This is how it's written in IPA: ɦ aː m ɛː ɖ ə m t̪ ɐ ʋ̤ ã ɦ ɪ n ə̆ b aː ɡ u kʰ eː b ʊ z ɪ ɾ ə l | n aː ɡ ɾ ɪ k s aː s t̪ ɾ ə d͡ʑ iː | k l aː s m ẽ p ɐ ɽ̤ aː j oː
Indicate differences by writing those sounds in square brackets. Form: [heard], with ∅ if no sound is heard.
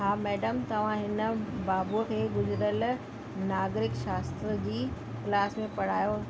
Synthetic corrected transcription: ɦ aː m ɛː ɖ ə m t̪ ɐ ʋ̤ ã ɦ ɪ n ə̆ b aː [b] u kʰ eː [ɡ] ʊ z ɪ ɾ ə l | n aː ɡ ɾ ɪ k [ʃ] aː s t̪ ɾ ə d͡ʑ iː | k l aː s m ẽ p ɐ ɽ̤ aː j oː